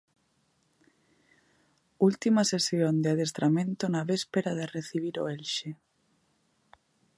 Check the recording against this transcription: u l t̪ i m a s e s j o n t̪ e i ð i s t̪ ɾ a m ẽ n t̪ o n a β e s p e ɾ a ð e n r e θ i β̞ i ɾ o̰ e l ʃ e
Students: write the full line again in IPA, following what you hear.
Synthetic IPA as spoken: u l t̪ i m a s e s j o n d̪ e a ð e s t̪ ɾ a m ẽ n t̪ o n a β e s p e ɾ a ð e r e θ i β̞ i ɾ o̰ e l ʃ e